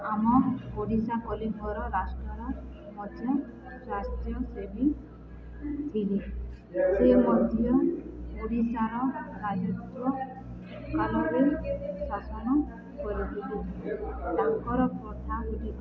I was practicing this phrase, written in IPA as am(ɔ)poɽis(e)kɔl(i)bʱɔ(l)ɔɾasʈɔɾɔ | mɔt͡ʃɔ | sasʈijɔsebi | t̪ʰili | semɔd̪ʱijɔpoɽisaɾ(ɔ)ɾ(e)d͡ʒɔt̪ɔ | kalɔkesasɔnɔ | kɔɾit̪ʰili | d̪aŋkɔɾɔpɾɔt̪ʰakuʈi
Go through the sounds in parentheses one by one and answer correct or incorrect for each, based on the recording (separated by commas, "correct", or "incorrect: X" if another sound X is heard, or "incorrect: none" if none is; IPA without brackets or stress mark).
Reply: correct, incorrect: a, correct, incorrect: ɾ, correct, incorrect: a